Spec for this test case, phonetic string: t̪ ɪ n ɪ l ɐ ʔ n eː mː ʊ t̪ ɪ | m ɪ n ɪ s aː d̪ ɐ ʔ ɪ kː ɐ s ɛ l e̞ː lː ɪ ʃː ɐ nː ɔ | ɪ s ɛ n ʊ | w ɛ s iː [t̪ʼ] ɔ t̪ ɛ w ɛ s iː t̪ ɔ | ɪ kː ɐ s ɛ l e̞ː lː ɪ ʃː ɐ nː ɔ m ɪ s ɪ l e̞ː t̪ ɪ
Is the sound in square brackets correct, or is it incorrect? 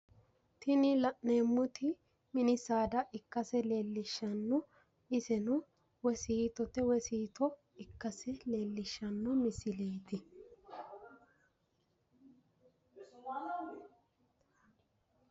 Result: incorrect